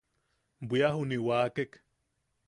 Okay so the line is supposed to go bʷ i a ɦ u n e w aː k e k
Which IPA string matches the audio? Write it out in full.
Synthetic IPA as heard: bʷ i a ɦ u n i w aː k e k

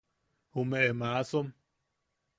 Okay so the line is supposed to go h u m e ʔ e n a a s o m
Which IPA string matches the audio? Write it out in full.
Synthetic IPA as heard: h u m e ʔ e m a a s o m

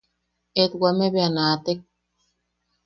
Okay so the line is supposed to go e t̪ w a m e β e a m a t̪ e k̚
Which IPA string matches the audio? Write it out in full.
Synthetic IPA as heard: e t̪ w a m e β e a n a t̪ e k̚

